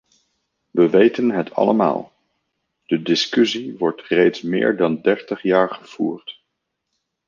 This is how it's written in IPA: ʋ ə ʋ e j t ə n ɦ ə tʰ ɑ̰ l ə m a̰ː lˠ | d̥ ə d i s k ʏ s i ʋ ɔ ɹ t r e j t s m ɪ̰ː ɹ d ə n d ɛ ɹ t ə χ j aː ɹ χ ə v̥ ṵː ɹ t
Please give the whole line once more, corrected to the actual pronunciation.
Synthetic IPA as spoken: ʋ ə ʋ e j t ə n ɦ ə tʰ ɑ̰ l ə m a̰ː lˠ | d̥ ə d ɪ s k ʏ s i ʋ ɔ ɹ t r e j t s m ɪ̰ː ɹ d ɑ n d ɛ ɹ t ə χ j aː ɹ χ ə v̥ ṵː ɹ t